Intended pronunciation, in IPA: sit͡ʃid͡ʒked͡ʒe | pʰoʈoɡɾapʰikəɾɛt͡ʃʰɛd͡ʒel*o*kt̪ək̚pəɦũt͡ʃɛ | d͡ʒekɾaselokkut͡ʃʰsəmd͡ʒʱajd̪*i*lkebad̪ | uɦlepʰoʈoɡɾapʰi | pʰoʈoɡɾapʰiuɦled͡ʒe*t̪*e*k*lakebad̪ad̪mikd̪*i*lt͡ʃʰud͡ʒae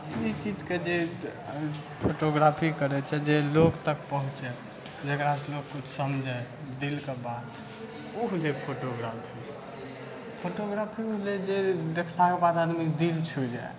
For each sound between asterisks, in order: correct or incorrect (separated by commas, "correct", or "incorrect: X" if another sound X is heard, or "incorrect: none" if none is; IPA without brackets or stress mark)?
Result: correct, correct, incorrect: d̪, incorrect: kʰ, correct